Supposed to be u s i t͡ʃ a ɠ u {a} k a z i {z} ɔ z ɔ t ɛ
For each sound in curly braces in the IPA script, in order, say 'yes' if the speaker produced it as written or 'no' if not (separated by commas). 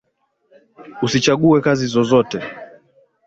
no, yes